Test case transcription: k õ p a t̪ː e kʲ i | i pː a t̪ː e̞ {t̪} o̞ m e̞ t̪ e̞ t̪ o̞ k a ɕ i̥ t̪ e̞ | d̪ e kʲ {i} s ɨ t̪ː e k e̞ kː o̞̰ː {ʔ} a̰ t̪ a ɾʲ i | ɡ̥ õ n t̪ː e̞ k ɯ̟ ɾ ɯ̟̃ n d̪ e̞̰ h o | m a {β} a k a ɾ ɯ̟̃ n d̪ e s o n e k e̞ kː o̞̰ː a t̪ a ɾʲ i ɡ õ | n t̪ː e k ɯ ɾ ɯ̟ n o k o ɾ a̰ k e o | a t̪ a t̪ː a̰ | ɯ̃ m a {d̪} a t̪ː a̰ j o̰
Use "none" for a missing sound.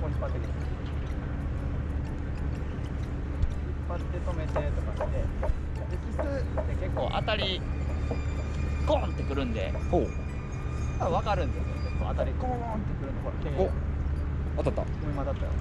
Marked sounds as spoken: t̪, i, ʔ, β, d̪

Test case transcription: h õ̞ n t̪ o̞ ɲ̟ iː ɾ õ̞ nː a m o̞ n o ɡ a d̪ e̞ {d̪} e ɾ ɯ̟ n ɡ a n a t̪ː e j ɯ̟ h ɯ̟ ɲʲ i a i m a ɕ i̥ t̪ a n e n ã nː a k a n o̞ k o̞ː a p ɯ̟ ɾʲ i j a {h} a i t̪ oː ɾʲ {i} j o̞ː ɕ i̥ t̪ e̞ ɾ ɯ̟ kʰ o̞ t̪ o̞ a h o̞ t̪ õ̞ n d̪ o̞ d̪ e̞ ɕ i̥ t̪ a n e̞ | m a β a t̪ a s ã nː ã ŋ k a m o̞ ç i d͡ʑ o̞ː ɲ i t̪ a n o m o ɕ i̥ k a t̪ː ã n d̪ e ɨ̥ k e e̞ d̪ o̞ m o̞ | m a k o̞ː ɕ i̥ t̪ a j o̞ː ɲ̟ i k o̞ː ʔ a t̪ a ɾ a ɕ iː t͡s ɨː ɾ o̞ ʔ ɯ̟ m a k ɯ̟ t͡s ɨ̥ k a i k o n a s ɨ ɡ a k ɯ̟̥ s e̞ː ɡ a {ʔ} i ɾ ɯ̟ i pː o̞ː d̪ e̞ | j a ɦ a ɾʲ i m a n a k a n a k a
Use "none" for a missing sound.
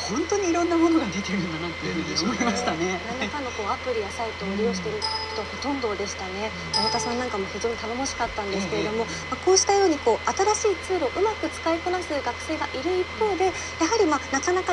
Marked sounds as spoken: t̪, s, i, ʔ

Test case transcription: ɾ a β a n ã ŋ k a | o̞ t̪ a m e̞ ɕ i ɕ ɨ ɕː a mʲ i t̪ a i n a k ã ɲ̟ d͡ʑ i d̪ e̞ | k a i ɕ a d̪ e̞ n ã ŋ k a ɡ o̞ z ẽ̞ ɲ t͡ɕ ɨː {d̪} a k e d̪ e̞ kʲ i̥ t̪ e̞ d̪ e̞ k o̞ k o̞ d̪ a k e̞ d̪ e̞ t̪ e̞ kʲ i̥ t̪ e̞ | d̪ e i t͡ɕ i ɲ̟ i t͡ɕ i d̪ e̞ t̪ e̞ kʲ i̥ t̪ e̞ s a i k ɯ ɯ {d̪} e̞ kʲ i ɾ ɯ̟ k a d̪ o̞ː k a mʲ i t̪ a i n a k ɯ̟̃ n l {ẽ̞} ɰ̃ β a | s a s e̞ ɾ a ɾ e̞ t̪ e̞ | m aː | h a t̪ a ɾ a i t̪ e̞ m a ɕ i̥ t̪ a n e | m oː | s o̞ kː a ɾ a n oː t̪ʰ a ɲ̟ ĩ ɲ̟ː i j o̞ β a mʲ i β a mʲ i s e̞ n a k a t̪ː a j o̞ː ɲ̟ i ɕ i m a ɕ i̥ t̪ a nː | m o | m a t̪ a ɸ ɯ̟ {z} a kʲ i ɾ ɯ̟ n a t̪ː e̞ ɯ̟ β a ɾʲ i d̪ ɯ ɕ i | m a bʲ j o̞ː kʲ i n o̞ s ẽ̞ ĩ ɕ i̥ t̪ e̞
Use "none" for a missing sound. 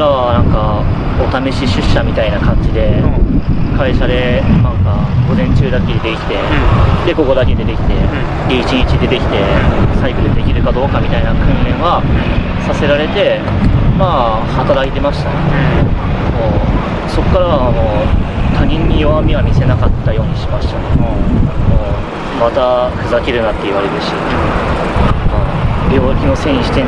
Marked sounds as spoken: d̪, d̪, ẽ̞, z

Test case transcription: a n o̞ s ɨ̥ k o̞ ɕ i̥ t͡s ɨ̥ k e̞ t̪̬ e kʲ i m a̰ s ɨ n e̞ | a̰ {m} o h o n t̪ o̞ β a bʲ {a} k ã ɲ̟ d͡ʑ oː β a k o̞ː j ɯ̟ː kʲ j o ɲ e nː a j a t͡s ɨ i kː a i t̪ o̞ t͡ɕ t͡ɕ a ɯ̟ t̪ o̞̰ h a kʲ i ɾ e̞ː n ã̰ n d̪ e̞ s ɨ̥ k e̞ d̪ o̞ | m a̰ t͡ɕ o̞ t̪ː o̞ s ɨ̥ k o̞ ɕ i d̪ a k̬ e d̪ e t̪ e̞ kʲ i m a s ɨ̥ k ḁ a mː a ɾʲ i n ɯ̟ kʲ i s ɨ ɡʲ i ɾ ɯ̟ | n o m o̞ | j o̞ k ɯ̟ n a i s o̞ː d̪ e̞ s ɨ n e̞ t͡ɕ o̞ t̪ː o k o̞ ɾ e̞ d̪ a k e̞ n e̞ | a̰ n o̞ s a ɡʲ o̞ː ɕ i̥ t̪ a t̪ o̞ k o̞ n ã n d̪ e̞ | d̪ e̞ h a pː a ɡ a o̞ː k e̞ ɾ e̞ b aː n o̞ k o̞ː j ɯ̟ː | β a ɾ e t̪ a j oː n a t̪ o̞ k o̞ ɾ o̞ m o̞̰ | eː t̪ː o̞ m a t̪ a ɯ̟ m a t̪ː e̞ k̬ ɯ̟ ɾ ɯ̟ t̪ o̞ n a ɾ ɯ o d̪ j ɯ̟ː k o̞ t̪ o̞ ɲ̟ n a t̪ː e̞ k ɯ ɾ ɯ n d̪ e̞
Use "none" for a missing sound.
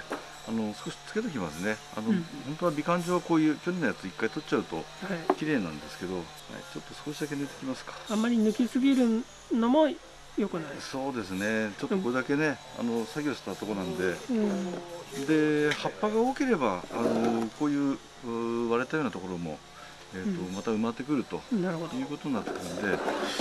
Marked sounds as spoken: n, i

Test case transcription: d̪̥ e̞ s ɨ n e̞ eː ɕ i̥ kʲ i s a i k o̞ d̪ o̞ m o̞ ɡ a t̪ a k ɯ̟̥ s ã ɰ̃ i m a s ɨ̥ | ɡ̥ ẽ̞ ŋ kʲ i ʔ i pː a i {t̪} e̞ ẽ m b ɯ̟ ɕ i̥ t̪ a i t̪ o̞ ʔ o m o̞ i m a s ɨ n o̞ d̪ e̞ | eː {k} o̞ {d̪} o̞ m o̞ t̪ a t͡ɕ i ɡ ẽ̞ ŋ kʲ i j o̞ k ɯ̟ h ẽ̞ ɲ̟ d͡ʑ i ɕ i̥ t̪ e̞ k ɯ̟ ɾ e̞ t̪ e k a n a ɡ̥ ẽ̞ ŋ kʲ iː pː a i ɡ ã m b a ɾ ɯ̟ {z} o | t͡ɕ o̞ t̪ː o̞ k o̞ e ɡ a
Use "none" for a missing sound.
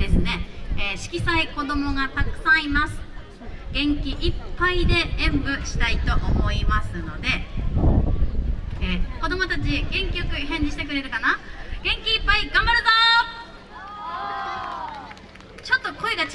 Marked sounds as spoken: d̪, k, d̪, z

